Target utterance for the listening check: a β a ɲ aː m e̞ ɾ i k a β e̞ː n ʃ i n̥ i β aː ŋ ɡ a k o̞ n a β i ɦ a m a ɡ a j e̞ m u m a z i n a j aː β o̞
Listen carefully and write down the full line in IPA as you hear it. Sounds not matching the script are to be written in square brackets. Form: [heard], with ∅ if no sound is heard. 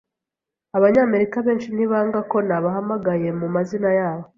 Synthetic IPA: a β a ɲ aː m e̞ ɾ i k a β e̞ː n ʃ i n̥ i β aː ŋ ɡ a k o̞ n a β [a] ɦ a m a ɡ a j e̞ m u m a z i n a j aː β o̞